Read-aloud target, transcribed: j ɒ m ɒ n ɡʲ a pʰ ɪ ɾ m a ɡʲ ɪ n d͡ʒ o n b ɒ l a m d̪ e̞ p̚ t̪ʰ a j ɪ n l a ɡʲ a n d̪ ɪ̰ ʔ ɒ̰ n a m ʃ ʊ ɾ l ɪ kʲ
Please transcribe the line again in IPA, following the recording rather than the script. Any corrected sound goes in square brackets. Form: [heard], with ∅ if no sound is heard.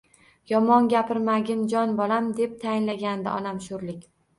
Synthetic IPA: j ɒ m ɒ n ɡʲ a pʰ ɪ ɾ m a ɡʲ ɪ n d͡ʒ [ɒ] n b ɒ l a m d̪ e̞ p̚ t̪ʰ a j ɪ n l a ɡʲ a n d̪ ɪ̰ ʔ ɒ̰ n a m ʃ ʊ ɾ l ɪ kʲ